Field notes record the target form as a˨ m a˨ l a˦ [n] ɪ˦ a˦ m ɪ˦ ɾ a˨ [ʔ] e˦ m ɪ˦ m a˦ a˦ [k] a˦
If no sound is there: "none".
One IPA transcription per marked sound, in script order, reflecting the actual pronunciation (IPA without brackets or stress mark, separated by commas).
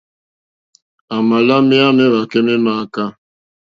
m, k, k